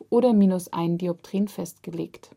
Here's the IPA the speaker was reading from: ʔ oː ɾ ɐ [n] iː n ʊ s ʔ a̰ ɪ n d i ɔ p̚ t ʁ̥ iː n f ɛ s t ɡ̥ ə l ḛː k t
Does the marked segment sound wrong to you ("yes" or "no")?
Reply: yes